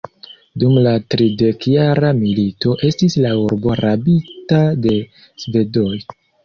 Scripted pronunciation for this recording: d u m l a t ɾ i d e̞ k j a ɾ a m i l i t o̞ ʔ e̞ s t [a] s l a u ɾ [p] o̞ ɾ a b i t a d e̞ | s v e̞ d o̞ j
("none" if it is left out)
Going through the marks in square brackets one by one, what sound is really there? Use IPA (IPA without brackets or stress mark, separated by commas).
i, b